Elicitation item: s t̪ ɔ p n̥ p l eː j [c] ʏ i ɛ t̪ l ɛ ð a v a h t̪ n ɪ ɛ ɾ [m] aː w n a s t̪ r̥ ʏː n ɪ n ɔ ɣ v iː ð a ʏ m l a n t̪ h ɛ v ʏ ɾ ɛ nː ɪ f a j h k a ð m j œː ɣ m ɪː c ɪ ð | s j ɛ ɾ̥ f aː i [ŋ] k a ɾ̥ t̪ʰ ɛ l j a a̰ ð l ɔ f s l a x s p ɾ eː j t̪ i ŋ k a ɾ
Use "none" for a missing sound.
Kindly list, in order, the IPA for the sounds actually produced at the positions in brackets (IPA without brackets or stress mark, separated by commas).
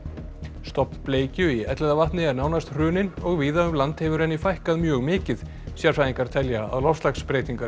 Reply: c, n, ŋ